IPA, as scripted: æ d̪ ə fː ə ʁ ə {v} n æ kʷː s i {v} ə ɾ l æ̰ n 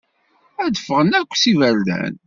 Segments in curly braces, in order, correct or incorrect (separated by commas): incorrect, correct